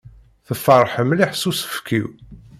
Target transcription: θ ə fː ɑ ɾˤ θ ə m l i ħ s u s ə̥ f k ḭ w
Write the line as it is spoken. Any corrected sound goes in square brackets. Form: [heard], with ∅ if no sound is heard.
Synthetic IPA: θ ə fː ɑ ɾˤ [ħ] ə m l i ħ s u s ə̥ f k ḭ w